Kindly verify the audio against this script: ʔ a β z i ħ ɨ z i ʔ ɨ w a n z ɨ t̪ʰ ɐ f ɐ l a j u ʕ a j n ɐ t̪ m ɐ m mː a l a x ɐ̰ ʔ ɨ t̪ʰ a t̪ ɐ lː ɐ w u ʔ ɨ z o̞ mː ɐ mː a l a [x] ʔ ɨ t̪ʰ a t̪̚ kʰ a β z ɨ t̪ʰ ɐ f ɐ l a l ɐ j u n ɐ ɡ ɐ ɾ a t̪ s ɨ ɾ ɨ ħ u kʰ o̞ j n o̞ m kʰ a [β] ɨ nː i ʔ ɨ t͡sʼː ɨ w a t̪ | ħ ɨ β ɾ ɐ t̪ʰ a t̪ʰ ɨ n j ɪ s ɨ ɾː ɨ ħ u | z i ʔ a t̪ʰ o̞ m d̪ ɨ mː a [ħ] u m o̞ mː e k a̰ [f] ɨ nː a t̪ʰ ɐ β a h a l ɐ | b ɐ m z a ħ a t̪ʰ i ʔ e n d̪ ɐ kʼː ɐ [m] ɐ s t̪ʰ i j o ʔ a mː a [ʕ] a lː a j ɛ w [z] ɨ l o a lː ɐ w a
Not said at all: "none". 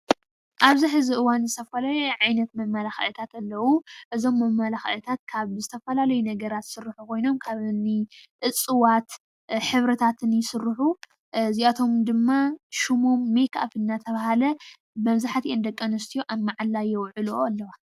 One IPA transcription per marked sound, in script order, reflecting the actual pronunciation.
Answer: x, β, ʃ, f, n, ʕ, ʕ

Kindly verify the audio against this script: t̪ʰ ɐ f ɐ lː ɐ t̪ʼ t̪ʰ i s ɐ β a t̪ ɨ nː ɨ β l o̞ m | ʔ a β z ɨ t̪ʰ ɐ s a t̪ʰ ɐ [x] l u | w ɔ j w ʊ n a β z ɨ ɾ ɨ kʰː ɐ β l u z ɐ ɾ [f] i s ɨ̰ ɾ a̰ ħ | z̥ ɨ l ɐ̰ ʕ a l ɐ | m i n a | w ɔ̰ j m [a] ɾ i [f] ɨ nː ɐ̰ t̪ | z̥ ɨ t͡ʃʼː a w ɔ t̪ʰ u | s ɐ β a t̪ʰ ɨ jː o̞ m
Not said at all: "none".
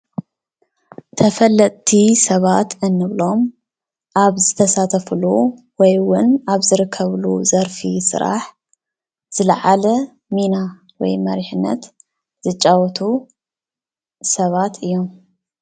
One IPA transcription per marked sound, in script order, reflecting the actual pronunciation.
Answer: f, f, ɐ, ħ

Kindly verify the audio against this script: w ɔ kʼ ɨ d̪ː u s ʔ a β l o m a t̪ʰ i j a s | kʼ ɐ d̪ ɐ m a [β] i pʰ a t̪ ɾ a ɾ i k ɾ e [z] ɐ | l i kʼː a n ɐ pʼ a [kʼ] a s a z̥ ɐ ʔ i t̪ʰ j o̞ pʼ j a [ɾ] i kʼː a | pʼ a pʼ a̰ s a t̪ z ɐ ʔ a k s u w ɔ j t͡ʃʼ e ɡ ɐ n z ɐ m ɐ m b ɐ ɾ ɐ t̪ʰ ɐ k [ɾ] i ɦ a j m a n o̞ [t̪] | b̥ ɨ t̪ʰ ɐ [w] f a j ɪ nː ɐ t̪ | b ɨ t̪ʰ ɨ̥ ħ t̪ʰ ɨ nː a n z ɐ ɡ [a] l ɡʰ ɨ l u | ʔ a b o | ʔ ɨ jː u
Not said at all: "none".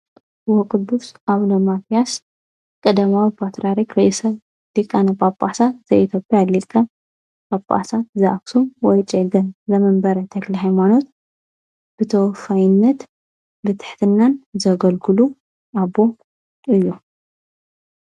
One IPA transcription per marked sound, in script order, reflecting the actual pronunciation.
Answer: w, s, pʼ, l, l, t̪, w, ɐ

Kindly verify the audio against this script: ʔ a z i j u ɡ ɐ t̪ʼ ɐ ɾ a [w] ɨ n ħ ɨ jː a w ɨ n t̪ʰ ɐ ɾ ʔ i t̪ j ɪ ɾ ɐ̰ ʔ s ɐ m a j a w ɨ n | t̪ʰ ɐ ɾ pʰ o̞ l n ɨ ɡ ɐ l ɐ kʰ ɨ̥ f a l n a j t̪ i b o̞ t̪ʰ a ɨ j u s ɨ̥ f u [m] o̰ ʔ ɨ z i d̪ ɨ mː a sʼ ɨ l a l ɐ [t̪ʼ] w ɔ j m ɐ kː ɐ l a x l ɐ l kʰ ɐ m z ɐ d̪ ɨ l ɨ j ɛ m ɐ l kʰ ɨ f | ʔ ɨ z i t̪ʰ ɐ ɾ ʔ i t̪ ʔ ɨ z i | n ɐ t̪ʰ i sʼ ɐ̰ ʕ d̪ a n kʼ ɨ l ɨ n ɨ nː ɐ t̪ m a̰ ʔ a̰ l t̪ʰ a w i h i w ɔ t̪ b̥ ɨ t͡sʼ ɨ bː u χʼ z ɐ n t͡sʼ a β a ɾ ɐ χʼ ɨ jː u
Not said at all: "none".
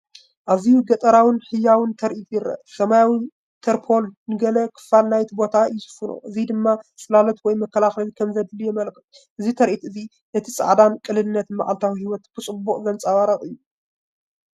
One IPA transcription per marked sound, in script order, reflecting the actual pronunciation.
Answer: w, n, t̪

